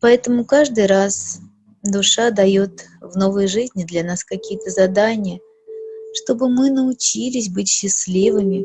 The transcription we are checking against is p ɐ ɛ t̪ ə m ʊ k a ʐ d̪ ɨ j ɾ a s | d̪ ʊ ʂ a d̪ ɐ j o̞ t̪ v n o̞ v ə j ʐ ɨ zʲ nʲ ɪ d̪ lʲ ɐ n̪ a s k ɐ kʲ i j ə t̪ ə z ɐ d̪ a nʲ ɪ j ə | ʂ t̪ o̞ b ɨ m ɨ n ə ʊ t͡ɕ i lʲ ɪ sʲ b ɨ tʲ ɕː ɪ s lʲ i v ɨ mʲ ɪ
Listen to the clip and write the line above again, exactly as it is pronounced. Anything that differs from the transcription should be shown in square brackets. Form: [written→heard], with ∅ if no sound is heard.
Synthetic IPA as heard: p ɐ ɛ t̪ ə m ʊ k a ʐ d̪ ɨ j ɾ a s | d̪ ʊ ʂ a d̪ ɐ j o̞ t̪ v n o̞ v ə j ʐ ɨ zʲ nʲ ɪ d̪ lʲ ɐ n̪ a s k ɐ kʲ i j ə t̪ ə z ɐ d̪ a nʲ ɪ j ə | ʂ t̪ o̞ b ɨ m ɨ n ə ʊ t͡ɕ i lʲ ɪ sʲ b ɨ tʲ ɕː ɪ s lʲ i v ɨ mʲ ɪ

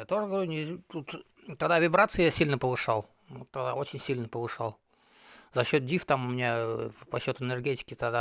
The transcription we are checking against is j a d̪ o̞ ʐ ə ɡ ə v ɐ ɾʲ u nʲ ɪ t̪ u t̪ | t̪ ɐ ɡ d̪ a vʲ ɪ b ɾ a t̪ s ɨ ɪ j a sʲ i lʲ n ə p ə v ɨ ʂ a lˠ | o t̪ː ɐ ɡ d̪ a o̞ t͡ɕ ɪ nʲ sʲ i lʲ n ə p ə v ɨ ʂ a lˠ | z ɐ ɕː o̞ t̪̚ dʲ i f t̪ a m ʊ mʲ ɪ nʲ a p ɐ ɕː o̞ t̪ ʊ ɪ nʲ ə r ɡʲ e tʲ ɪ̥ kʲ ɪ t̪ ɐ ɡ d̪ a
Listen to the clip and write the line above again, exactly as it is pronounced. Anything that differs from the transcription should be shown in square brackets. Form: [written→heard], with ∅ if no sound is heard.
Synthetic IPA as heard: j a [d̪→t̪] o̞ ʐ ə ɡ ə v ɐ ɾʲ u nʲ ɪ t̪ u t̪ | t̪ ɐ ɡ d̪ a vʲ ɪ b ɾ a t̪ s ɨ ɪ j a sʲ i lʲ n ə p ə v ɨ ʂ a lˠ | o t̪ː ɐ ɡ d̪ a o̞ t͡ɕ ɪ nʲ sʲ i lʲ n ə p ə v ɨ ʂ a lˠ | z ɐ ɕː o̞ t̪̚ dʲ i f t̪ a m ʊ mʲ ɪ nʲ a p ɐ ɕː o̞ t̪ ʊ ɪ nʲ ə r ɡʲ e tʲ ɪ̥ kʲ ɪ t̪ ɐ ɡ d̪ a

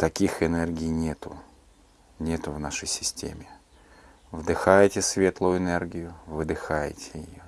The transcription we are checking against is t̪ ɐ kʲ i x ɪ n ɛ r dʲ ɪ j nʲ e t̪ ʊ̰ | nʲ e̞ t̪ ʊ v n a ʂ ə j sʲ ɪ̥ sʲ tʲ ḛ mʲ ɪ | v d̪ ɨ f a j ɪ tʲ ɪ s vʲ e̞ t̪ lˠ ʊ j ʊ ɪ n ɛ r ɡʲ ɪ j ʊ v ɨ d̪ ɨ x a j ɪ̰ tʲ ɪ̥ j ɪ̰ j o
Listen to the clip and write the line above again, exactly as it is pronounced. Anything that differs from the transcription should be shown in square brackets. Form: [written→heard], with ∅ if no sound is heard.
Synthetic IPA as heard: t̪ ɐ kʲ i x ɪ n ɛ r [dʲ→ɡʲ] ɪ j nʲ e t̪ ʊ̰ | nʲ e̞ t̪ ʊ v n a ʂ ə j sʲ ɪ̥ sʲ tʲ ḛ mʲ ɪ | v d̪ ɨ [f→x] a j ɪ tʲ ɪ s vʲ e̞ t̪ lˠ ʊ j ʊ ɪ n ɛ r ɡʲ ɪ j ʊ v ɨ d̪ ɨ x a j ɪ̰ tʲ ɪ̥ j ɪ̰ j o

